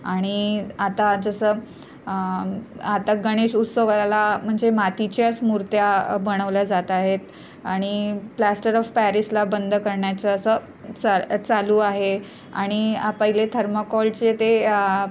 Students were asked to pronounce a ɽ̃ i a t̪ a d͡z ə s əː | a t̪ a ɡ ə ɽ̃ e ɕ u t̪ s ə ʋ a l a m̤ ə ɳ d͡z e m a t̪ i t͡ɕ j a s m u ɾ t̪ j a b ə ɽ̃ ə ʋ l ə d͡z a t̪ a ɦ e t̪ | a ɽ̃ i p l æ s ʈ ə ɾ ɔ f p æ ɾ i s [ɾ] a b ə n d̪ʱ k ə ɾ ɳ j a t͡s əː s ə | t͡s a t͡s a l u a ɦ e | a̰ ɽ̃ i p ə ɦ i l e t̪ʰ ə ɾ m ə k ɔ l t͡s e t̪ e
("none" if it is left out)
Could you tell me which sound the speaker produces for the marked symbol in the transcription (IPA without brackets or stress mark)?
l